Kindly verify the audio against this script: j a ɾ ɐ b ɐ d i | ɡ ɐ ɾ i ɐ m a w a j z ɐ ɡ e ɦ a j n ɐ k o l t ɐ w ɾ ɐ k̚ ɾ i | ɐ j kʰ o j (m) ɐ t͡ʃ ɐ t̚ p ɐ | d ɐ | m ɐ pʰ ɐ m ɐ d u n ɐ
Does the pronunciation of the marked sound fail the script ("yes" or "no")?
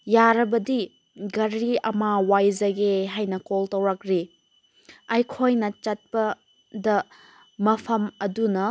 yes